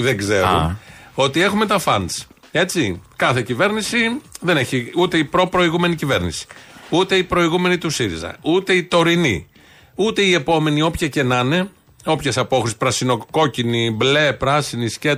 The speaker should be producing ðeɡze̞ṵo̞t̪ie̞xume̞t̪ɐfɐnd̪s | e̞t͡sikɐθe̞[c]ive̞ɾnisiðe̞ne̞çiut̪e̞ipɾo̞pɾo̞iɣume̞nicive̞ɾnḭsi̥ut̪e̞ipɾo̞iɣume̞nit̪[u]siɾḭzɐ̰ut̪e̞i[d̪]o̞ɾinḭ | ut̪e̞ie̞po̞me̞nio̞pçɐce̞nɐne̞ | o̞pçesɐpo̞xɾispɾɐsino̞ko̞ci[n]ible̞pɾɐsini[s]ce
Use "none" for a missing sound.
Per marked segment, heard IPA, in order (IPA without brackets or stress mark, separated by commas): c, u, t̪, n, s